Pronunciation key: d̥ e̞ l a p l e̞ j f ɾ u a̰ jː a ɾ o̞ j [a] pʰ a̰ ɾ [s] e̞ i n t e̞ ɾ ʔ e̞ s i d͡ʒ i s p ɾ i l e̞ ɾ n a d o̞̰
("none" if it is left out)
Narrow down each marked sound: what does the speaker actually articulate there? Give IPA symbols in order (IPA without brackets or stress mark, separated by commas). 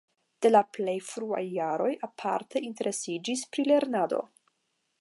a, t